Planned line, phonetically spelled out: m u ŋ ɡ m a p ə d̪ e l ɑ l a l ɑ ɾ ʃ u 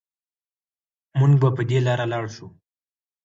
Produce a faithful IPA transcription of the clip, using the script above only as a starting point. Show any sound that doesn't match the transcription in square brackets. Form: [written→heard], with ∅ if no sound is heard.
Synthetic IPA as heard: m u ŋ ɡ [m→b] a p ə d̪ e l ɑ [l→ɾ] a l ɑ [ɾ→ɽ] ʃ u